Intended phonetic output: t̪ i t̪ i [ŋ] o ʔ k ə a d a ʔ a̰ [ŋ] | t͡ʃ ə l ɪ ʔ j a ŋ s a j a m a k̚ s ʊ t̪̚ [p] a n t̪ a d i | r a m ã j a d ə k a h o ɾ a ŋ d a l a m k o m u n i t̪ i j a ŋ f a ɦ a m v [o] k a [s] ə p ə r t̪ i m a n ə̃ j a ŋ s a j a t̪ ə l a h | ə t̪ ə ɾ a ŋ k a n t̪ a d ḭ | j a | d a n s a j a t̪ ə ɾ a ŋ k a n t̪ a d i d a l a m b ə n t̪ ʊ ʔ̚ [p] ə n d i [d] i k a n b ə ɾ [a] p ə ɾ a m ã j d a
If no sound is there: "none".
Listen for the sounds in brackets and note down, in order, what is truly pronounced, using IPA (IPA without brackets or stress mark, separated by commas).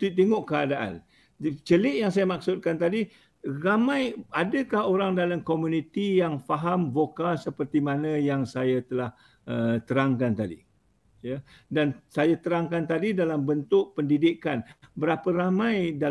ŋ, n, k, o, s, p, d, a